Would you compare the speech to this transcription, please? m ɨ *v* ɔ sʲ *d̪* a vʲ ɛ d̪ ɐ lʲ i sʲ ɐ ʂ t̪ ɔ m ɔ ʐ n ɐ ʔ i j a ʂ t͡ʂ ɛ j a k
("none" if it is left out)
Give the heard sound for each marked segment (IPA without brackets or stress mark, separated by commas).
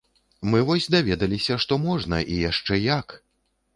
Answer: v, d̪